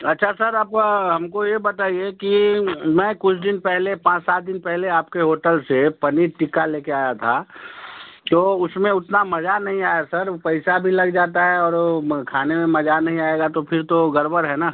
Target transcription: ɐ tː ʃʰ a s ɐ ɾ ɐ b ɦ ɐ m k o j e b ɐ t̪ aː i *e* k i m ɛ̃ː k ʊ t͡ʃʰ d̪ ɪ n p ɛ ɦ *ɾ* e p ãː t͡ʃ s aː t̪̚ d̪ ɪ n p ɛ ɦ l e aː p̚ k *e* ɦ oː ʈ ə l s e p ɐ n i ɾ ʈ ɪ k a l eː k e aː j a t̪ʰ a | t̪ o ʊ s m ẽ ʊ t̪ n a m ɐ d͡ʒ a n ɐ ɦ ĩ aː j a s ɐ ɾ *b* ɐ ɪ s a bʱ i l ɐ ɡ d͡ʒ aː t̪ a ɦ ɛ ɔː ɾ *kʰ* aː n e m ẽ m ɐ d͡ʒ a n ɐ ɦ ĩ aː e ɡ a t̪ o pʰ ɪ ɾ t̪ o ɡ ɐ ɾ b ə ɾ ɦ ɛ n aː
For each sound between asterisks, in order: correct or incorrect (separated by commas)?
correct, incorrect, correct, incorrect, correct